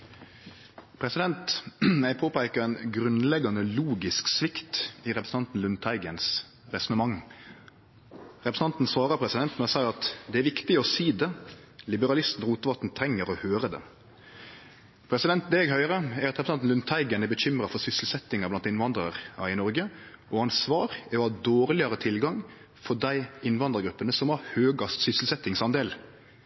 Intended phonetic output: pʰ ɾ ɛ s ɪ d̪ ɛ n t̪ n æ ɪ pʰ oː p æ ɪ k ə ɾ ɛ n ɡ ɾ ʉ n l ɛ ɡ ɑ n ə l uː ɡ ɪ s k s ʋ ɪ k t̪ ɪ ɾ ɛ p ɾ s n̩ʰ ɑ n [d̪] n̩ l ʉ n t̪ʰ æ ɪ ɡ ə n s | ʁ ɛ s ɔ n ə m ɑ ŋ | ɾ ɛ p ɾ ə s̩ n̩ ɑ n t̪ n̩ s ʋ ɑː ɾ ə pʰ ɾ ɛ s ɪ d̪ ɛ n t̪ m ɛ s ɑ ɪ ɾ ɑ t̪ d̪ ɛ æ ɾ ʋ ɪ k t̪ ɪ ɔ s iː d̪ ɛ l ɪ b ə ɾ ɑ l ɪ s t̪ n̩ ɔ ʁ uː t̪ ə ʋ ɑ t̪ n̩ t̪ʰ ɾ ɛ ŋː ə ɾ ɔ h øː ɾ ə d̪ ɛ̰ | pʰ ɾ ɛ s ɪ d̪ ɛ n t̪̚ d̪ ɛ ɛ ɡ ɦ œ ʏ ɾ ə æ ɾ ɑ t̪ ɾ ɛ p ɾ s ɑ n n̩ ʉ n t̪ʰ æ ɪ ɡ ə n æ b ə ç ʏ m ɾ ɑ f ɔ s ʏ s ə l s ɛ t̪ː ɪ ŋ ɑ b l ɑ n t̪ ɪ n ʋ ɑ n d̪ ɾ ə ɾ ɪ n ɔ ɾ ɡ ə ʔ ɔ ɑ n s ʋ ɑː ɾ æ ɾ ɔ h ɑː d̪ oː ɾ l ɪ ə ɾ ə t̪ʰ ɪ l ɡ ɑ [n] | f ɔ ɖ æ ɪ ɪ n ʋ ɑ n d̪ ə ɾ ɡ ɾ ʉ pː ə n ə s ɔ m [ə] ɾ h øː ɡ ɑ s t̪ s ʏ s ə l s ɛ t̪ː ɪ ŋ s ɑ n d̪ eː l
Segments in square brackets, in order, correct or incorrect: incorrect: t̪, incorrect: ŋ, incorrect: ɑ

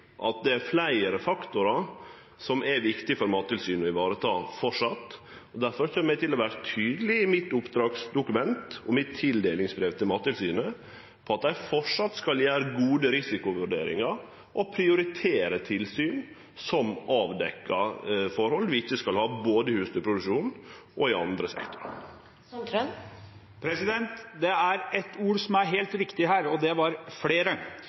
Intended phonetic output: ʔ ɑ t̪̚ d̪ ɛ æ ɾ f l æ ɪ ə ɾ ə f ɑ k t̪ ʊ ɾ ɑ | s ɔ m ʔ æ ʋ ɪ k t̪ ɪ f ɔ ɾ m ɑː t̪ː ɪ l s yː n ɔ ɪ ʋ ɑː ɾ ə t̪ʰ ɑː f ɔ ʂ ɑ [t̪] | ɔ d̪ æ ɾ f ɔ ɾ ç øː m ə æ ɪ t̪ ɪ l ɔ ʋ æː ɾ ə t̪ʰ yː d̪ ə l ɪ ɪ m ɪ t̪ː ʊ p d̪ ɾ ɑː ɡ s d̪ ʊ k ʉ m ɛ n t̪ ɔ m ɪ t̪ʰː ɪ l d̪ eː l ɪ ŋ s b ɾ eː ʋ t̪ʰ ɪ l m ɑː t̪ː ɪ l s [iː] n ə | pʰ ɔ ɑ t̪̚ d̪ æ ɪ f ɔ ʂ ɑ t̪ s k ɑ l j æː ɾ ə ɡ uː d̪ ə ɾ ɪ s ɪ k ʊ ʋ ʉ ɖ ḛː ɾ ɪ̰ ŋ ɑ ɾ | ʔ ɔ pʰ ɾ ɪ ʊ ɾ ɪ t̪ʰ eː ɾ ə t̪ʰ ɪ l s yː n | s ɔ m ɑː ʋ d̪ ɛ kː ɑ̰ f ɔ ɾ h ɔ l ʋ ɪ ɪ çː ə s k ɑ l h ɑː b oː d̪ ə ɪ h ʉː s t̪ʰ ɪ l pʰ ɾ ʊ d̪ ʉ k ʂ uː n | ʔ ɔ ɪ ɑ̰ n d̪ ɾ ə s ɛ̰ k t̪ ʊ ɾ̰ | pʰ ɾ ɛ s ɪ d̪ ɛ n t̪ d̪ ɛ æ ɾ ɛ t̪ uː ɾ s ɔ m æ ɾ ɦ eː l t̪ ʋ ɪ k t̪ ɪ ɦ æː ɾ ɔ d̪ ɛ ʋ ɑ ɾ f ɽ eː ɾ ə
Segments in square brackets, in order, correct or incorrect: correct, incorrect: yː

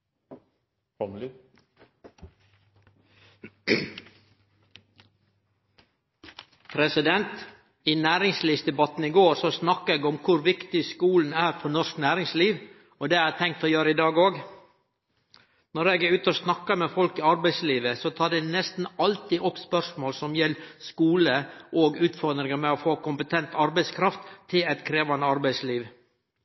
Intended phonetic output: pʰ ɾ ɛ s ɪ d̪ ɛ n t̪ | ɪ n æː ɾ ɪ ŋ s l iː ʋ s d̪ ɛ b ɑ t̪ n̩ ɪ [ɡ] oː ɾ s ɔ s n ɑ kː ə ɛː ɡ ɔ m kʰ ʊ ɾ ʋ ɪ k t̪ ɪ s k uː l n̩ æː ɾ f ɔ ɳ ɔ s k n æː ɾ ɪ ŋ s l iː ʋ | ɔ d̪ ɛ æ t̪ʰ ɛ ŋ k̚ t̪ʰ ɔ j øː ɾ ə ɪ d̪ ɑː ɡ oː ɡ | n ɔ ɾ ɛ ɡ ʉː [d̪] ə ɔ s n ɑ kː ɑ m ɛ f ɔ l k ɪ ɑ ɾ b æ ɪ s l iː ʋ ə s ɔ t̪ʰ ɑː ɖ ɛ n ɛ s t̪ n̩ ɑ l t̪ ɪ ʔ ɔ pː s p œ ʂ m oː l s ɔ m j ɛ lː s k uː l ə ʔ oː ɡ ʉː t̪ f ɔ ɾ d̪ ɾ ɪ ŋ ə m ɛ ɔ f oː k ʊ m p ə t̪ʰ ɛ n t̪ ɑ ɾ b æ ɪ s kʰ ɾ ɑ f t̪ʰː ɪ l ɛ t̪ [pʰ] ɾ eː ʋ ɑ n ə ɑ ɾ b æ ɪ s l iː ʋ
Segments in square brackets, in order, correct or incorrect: correct, incorrect: t̪, incorrect: kʰ

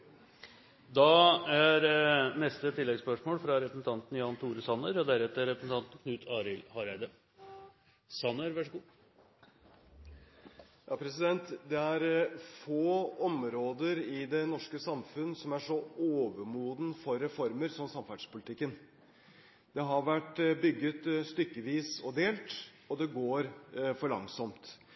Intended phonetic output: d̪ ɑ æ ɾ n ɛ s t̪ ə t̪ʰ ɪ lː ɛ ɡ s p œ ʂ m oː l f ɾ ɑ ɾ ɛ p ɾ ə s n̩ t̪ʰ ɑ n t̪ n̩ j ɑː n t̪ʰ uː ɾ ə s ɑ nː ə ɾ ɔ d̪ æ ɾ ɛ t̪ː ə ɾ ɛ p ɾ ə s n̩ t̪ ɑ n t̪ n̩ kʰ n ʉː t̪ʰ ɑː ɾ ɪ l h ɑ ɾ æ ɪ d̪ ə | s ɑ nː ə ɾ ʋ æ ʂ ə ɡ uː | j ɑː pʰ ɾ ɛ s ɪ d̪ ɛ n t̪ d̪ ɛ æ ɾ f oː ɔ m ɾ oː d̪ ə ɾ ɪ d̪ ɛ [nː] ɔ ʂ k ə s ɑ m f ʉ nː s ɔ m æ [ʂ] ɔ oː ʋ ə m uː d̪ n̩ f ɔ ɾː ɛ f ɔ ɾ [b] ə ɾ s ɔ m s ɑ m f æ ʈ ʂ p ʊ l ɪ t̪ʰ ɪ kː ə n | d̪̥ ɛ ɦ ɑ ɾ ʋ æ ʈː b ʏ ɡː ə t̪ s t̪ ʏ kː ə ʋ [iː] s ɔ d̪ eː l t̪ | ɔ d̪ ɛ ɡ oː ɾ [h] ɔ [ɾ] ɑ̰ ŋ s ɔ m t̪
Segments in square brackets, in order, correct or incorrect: incorrect: n, correct, incorrect: m, correct, incorrect: f, incorrect: ɭ

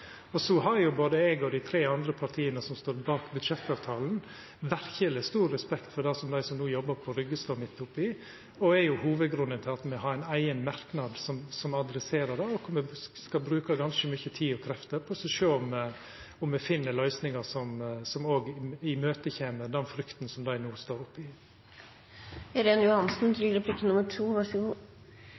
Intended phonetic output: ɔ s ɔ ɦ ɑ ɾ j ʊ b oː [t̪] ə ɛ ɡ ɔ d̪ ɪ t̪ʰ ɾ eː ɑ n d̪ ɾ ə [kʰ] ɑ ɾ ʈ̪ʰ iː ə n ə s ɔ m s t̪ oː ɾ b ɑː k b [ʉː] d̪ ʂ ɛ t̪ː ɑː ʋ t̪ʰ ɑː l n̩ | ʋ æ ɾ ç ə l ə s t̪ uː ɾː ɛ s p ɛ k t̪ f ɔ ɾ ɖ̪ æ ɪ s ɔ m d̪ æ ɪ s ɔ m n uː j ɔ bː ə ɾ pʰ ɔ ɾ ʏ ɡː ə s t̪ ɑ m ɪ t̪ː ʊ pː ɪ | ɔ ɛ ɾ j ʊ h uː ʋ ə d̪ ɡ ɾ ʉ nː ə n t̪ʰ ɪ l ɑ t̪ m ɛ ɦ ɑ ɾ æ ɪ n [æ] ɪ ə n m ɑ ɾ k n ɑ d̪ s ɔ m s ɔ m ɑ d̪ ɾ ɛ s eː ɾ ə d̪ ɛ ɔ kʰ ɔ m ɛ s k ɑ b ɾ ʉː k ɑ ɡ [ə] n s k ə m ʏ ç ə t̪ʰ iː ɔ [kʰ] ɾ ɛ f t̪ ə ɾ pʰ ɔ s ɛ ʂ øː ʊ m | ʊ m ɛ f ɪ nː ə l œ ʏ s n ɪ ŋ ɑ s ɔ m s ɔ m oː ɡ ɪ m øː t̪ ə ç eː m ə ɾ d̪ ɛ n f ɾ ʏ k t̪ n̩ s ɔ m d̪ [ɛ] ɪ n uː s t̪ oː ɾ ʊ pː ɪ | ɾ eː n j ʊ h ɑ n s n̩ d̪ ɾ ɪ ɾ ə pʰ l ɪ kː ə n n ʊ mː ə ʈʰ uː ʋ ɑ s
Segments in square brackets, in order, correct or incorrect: incorrect: d̪, incorrect: pʰ, incorrect: ʉ, correct, incorrect: ɑ, correct, incorrect: æ

